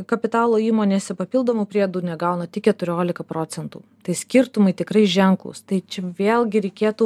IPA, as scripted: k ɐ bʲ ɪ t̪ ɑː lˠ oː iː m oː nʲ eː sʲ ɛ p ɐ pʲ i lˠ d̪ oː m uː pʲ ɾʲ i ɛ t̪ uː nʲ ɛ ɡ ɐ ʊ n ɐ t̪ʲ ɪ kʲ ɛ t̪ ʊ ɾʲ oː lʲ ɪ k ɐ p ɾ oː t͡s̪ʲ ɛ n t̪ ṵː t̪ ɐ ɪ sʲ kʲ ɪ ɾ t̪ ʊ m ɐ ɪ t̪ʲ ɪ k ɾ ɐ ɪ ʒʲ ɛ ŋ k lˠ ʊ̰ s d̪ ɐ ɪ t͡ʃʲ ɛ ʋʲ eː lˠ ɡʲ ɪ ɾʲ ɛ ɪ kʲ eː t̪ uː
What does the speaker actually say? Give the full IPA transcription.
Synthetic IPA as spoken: k ɐ pʲ ɪ t̪ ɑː lˠ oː iː m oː nʲ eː sʲ ɛ p ɐ pʲ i lˠ d̪ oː m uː pʲ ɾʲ i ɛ d̪ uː nʲ ɛ ɡ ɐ ʊ n ɐ t̪ʲ ɪ kʲ ɛ t̪ ʊ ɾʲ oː lʲ ɪ k ɐ p ɾ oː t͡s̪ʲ ɛ n t̪ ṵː t̪ ɐ ɪ sʲ kʲ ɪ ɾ t̪ ʊ m ɐ ɪ t̪ʲ ɪ k ɾ ɐ ɪ ʒʲ ɛ ŋ k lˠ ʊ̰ s t̪ ɐ ɪ t͡ʃʲ ɛ ʋʲ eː lˠ ɡʲ ɪ ɾʲ ɛ ɪ kʲ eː t̪ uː